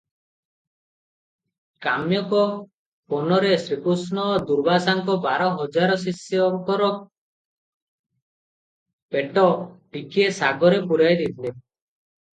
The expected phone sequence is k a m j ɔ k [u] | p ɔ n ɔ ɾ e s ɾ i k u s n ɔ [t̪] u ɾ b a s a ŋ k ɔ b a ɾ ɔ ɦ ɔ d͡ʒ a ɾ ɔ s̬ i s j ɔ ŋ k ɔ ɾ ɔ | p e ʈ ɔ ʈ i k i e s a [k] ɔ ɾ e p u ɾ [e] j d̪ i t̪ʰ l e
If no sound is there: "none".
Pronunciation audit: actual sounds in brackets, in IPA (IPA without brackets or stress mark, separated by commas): ɔ, d̪, ɡ, a